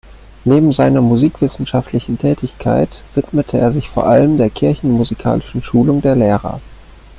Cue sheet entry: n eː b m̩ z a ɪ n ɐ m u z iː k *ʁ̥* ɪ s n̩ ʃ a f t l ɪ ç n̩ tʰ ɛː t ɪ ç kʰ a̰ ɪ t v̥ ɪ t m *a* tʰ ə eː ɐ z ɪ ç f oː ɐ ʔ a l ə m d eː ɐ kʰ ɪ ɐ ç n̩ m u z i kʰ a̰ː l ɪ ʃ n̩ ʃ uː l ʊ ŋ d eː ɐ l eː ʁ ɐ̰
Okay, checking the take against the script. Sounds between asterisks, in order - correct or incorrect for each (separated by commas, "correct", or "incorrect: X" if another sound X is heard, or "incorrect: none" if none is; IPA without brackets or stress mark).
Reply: incorrect: v̥, incorrect: ə